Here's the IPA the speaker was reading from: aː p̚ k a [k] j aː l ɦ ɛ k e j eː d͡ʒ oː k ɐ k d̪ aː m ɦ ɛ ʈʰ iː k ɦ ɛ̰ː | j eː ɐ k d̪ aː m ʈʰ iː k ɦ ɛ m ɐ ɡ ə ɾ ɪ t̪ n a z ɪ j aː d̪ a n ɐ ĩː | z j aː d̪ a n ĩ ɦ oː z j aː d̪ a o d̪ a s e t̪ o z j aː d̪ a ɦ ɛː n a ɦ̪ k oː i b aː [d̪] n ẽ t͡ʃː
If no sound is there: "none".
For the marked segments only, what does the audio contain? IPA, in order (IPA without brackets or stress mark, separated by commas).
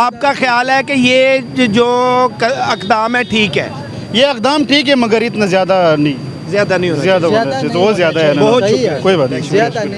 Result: x, t̪